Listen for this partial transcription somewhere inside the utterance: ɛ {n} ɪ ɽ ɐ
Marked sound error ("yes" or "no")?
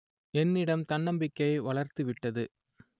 yes